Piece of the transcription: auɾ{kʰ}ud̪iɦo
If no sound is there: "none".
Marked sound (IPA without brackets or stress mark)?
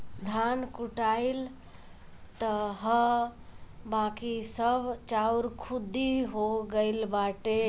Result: kʰ